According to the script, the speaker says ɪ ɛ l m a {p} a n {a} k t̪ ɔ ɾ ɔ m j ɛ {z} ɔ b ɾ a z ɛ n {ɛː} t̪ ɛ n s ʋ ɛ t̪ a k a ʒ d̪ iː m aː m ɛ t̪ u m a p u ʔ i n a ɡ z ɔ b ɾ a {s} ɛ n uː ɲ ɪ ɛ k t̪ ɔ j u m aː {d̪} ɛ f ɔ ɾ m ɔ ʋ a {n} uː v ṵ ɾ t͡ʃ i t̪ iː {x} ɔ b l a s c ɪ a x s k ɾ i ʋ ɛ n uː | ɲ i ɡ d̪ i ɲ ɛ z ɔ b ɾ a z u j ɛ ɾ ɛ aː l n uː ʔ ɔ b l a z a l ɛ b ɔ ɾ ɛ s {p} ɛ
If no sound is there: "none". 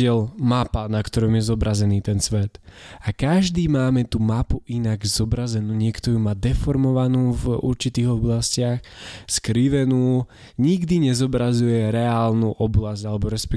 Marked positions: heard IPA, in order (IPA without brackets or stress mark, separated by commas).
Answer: p, a, z, iː, z, d̪, n, ɣ, p